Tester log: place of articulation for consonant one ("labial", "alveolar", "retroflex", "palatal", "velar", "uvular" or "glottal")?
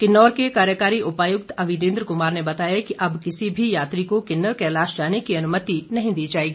velar